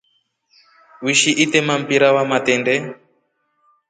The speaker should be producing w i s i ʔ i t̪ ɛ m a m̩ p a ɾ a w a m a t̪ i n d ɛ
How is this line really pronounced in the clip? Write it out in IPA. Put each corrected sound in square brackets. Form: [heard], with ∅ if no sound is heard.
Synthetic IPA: w i [ʃ] i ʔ i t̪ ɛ m a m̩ p [i] ɾ a w a m a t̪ [ɛ] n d ɛ

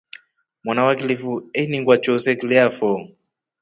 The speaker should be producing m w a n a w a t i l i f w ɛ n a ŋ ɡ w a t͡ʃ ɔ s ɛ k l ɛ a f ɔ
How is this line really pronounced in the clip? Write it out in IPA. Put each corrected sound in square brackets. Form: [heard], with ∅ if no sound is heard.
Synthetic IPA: m w a n a w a [k] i l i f [u] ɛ n [i] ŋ ɡ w a t͡ʃ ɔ s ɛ k l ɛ a f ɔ

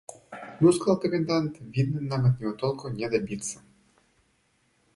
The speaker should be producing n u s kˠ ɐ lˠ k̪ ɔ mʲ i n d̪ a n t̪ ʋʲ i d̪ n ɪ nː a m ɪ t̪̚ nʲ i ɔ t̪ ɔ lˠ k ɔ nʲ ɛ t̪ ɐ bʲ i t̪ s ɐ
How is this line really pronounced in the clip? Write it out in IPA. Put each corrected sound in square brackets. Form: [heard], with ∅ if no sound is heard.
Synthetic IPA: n u s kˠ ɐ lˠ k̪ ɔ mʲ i n d̪ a n t̪ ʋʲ i d̪ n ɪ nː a m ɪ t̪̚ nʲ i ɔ t̪ ɔ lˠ k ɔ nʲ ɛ [d̪] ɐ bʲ i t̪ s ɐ

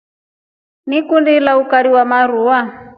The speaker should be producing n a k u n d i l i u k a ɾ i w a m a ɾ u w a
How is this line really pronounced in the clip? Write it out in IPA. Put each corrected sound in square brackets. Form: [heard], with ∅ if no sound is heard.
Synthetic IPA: n [i] k u n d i l [a] u k a ɾ i w a m a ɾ u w a

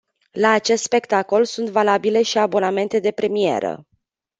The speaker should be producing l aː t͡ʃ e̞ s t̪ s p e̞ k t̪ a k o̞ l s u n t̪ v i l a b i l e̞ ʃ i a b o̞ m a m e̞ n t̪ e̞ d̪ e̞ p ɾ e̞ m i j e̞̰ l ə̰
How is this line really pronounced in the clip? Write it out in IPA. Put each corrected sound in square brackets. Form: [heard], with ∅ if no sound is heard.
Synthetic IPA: l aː t͡ʃ e̞ s t̪ s p e̞ k t̪ a k o̞ l s u n t̪ v [a] l a b i l e̞ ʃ i a b o̞ [n] a m e̞ n t̪ e̞ d̪ e̞ p ɾ e̞ m i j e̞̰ [ɾ] ə̰

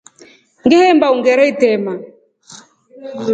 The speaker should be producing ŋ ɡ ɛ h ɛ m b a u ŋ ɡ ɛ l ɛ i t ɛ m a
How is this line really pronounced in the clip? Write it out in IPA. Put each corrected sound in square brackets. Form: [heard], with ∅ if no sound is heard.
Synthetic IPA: ŋ ɡ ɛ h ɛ m b a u ŋ ɡ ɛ [ɾ] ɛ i t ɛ m a

